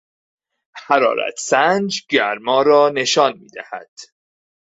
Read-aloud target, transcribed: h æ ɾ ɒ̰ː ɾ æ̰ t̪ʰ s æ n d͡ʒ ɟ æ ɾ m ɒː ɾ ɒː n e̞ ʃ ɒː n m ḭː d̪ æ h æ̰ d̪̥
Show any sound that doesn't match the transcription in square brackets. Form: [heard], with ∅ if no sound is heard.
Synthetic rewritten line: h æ ɾ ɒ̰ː ɾ æ̰ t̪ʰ s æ n d͡ʒ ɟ æ ɾ m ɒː ɾ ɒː n e̞ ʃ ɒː n m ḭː d̪ æ h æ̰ d̪̥